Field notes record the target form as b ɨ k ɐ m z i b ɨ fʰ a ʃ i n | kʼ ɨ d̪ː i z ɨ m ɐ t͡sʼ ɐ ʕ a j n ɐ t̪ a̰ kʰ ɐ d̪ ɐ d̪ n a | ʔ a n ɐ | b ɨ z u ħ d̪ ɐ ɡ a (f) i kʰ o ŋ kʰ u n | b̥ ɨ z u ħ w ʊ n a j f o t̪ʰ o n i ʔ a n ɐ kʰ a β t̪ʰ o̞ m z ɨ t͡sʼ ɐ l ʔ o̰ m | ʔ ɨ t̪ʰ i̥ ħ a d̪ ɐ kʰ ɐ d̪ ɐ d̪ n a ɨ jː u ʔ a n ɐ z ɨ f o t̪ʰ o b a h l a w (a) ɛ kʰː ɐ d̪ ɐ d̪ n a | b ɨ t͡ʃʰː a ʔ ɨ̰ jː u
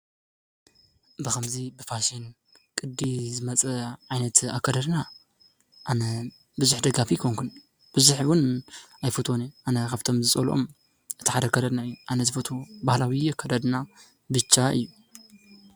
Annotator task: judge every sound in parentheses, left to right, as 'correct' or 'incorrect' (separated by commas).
correct, incorrect